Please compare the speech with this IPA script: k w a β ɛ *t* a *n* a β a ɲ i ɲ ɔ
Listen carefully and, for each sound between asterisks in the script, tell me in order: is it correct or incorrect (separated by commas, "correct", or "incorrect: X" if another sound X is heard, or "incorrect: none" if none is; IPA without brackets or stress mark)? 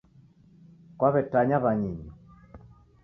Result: correct, incorrect: ɲ